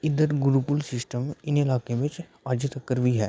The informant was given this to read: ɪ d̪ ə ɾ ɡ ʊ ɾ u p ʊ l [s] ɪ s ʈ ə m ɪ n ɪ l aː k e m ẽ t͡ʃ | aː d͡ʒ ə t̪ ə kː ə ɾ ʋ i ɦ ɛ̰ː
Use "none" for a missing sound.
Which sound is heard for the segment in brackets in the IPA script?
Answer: s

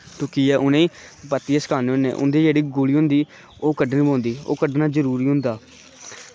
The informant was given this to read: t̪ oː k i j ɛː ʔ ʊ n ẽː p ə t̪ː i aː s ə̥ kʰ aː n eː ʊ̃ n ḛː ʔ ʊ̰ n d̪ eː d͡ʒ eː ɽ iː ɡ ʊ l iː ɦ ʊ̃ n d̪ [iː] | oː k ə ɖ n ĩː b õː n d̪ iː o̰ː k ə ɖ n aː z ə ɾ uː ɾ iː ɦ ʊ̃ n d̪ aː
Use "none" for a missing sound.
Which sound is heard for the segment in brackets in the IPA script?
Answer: iː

